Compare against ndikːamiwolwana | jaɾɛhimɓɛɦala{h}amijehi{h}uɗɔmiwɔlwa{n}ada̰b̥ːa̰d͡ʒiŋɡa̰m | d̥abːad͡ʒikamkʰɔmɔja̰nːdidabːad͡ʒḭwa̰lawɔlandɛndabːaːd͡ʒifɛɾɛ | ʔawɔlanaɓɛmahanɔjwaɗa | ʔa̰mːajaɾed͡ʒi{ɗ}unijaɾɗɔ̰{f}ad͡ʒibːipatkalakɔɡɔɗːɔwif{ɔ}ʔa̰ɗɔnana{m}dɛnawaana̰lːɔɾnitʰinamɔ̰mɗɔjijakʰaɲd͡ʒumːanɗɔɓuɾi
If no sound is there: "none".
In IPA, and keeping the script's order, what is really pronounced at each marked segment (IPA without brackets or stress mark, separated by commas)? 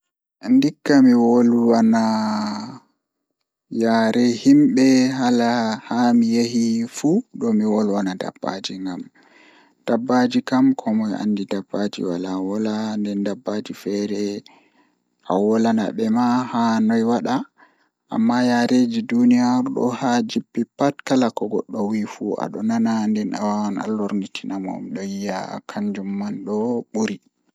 h, f, n, d, h, u, n